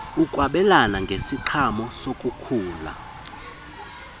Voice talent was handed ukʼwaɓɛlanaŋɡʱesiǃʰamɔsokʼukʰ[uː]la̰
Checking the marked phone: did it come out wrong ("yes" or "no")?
no